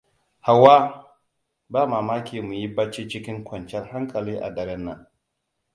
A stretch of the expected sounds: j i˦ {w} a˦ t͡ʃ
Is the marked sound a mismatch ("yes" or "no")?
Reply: yes